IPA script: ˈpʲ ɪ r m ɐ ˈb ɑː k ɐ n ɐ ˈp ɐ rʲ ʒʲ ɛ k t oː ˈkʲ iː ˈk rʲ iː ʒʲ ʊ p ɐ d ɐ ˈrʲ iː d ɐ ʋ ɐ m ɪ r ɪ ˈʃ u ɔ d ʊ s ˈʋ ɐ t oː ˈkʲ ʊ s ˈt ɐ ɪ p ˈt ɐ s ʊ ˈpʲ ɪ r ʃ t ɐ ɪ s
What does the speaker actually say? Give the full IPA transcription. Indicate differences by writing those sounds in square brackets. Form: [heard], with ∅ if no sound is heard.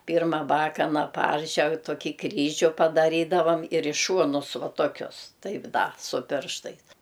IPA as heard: ˈpʲ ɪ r m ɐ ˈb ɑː k ɐ n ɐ ˈp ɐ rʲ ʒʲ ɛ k t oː ˈkʲ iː ˈk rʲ iː ʒʲ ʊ p ɐ d ɐ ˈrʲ iː d ɐ ʋ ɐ m ɪ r ɪ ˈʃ u ɔ [n] ʊ s ˈʋ ɐ t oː ˈkʲ ʊ s ˈt ɐ ɪ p [ˈd] ɐ s ʊ ˈpʲ ɪ r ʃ t ɐ ɪ s

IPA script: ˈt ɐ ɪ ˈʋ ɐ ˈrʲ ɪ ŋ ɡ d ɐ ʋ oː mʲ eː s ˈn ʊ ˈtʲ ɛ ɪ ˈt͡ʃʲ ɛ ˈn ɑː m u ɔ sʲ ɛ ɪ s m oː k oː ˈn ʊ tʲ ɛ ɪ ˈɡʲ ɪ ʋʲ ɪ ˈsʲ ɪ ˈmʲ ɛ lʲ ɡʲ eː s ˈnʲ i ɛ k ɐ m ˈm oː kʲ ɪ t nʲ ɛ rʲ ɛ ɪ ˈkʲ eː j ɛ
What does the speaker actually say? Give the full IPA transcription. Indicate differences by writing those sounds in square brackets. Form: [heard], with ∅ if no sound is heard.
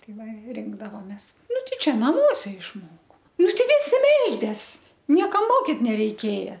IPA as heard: ˈt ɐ ɪ ˈʋ ɐ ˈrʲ ɪ ŋ ɡ d ɐ ʋ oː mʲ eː s ˈn ʊ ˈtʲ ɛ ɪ ˈt͡ʃʲ ɛ ˈn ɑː m u ɔ sʲ ɛ ɪ [ʃ] m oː k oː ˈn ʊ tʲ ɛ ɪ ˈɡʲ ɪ ʋʲ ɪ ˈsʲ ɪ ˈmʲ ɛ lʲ [dʲ] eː s ˈnʲ i ɛ k ɐ m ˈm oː kʲ ɪ t nʲ ɛ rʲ ɛ ɪ ˈkʲ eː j ɛ

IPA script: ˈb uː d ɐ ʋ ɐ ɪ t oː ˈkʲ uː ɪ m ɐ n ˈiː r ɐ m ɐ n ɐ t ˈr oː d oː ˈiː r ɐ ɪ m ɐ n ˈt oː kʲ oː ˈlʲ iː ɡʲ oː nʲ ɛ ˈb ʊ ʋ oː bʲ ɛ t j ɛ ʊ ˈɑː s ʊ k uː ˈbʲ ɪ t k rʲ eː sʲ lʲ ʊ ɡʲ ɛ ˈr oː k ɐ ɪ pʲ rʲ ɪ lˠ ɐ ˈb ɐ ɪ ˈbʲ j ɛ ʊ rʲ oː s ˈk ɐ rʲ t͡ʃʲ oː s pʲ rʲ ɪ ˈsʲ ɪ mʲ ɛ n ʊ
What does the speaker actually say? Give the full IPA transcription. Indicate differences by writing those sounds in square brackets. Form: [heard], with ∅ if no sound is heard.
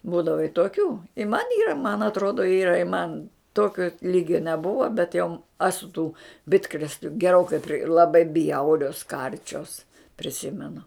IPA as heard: ˈb uː d ɐ ʋ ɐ ɪ t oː ˈkʲ uː ɪ m ɐ n ˈiː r ɐ m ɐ n ɐ t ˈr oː d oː ˈiː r ɐ ɪ m ɐ n ˈt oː kʲ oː ˈlʲ iː ɡʲ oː nʲ ɛ ˈb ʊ ʋ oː bʲ ɛ t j ɛ ʊ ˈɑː s ʊ [t] uː ˈbʲ ɪ t k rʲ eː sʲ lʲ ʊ ɡʲ ɛ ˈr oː k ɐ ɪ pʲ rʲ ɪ lˠ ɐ ˈb ɐ ɪ ˈbʲ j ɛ ʊ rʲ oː s ˈk ɐ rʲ t͡ʃʲ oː s pʲ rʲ ɪ ˈsʲ ɪ mʲ ɛ n ʊ

